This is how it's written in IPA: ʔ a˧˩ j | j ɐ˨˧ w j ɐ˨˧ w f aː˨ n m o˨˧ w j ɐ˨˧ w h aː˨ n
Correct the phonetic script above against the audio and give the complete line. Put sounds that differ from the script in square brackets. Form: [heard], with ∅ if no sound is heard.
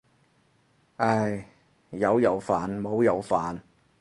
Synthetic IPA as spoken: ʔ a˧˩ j | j ɐ˨˧ w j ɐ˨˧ w f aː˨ n m o˨˧ w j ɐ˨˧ w [f] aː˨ n